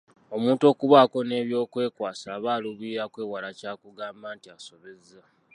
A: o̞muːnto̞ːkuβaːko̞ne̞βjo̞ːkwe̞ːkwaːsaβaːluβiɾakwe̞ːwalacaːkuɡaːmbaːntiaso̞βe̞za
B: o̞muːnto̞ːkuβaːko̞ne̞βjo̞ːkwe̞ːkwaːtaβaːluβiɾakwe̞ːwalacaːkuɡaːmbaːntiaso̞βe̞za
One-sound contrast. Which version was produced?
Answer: A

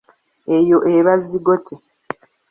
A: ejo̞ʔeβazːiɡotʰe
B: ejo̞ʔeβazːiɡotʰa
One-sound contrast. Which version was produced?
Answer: A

